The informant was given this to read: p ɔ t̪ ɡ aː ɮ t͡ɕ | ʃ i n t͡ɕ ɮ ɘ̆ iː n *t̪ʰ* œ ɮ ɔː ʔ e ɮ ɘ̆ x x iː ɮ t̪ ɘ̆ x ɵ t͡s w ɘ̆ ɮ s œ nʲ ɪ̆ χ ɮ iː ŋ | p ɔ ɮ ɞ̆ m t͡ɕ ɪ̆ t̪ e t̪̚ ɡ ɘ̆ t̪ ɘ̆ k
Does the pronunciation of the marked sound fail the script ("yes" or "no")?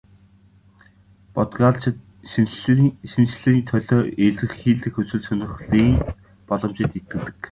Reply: no